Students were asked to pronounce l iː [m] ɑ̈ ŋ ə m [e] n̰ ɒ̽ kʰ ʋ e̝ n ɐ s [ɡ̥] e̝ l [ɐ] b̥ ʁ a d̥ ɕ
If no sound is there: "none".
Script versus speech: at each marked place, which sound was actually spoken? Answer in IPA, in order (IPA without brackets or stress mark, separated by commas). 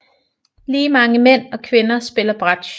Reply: m, e, b̥, ɐ